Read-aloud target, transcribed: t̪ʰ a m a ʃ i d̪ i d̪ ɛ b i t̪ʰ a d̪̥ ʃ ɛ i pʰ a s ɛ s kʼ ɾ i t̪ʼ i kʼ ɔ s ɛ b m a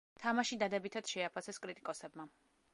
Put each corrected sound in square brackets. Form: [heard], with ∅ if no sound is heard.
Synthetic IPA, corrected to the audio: t̪ʰ a m a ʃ i d̪ [a] d̪ ɛ b i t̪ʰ a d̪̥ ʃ ɛ [a] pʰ a s ɛ s kʼ ɾ i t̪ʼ i kʼ ɔ s ɛ b m a